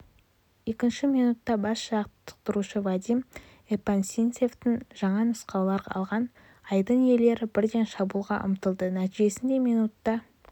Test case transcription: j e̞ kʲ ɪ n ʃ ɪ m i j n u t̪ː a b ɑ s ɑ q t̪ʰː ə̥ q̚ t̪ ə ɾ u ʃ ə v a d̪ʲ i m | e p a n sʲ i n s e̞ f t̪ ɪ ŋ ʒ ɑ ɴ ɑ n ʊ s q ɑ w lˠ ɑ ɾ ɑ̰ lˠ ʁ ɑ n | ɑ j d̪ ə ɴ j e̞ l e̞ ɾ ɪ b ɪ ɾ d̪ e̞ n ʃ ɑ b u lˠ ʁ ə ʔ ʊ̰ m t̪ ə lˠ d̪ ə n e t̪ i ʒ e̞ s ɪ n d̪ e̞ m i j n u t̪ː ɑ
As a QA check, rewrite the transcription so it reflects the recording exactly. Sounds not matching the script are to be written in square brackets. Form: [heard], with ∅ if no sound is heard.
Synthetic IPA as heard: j e̞ kʲ ɪ n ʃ ɪ m i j n u t̪ː [ɑ] b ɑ s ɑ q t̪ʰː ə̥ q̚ t̪ ə ɾ u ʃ ə v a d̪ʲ i m | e p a n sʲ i n s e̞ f t̪ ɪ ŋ ʒ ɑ ɴ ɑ n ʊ s q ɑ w lˠ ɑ ɾ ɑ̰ lˠ ʁ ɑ n | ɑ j d̪ ə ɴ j e̞ l e̞ ɾ ɪ b ɪ ɾ d̪ e̞ n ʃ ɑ b u lˠ ʁ [ɑ] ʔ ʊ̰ m t̪ ə lˠ d̪ ə n [æ] t̪ i ʒ e̞ s ɪ n d̪ e̞ m i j n u t̪ː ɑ